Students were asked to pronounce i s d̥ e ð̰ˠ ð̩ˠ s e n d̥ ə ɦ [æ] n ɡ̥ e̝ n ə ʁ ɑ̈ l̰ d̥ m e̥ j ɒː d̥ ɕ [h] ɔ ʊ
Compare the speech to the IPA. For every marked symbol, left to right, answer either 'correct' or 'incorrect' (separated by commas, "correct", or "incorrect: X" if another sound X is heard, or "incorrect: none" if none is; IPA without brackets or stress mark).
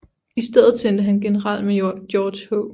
correct, correct